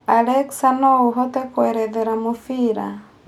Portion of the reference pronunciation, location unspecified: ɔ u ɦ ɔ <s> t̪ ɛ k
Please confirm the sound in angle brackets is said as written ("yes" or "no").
no